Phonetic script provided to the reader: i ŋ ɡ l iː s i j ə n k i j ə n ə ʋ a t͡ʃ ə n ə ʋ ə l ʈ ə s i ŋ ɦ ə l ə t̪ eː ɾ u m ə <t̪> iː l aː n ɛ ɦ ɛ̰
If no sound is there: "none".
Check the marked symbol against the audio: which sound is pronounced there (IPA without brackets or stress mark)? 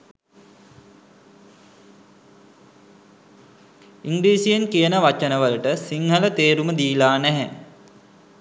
d̪